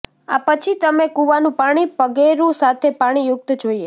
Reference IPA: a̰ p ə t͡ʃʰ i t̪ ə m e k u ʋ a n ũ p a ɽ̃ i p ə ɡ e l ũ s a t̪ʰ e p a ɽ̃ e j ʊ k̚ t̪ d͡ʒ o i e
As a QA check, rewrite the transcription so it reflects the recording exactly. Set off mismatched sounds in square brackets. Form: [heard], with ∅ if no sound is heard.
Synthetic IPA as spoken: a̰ p ə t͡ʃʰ i t̪ ə m e k u ʋ a n ũ p a ɽ̃ i p ə ɡ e [ɾ] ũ s a t̪ʰ e p a ɽ̃ [i] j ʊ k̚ t̪ d͡ʒ o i e